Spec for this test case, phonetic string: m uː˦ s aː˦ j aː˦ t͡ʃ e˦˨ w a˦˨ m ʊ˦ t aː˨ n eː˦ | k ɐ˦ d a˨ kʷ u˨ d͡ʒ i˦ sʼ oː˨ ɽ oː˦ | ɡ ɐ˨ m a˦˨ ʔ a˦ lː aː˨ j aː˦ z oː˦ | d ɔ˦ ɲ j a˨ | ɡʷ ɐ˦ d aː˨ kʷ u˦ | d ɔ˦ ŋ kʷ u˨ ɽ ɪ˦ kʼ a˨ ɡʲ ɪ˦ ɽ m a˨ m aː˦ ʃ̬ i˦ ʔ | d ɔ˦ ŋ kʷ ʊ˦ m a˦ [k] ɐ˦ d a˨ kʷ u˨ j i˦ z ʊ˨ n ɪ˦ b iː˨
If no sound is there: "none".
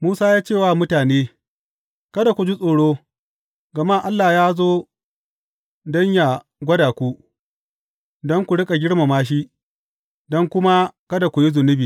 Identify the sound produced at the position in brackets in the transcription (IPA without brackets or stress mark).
k